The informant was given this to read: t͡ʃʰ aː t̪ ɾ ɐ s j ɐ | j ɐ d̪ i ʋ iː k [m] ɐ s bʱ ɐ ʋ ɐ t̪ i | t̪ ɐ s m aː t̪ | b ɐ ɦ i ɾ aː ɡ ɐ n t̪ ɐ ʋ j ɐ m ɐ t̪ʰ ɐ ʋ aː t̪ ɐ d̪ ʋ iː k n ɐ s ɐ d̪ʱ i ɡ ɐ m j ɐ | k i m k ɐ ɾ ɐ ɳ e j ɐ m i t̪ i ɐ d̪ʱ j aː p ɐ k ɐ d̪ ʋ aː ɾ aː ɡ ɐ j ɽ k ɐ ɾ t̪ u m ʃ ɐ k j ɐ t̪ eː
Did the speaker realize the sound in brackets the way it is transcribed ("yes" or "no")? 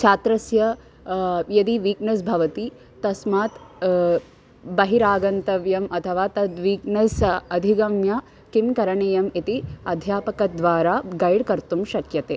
no